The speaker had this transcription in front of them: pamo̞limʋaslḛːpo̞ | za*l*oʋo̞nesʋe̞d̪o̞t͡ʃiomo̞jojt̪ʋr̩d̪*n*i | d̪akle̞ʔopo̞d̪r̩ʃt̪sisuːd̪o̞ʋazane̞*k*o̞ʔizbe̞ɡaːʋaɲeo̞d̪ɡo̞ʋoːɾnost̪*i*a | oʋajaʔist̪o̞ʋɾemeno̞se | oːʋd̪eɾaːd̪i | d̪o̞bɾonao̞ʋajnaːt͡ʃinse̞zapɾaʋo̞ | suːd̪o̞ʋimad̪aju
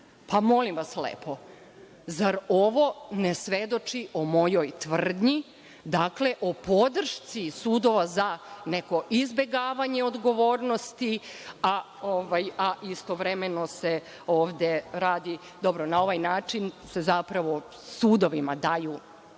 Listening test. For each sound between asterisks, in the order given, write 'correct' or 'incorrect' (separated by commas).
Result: incorrect, incorrect, correct, correct